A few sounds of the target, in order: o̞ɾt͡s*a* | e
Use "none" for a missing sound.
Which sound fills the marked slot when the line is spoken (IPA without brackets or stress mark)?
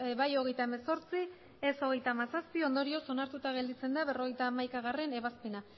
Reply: i